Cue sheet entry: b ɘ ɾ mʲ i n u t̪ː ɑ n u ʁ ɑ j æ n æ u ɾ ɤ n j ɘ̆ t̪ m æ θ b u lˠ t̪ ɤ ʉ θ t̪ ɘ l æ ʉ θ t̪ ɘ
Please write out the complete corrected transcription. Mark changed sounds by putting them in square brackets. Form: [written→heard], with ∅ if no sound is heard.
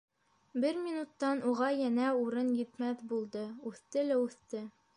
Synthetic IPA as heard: b ɘ ɾ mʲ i n u t̪ː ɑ n u ʁ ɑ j æ n æ u ɾ ɤ n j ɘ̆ t̪ m æ θ b u lˠ [t̪→d̪] ɤ ʉ θ t̪ ɘ l æ ʉ θ t̪ ɘ